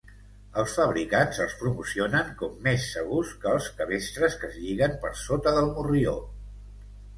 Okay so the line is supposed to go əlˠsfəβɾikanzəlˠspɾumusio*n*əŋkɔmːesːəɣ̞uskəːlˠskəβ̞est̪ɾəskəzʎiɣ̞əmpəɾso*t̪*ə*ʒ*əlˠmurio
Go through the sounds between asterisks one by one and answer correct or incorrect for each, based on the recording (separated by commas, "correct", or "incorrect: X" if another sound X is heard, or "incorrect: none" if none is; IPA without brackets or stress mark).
correct, correct, incorrect: ð